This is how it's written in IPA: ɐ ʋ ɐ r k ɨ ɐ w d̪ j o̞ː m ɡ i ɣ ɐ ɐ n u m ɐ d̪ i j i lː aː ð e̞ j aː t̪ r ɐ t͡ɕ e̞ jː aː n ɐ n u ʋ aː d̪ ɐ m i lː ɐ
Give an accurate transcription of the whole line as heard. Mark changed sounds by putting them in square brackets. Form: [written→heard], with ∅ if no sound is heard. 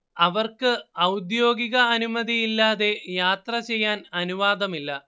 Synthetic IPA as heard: ɐ ʋ ɐ r k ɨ ɐ w d̪ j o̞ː [m→∅] ɡ i ɣ ɐ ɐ n u m ɐ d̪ i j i lː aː ð e̞ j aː t̪ r ɐ t͡ɕ e̞ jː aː n ɐ n u ʋ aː d̪ ɐ m i lː ɐ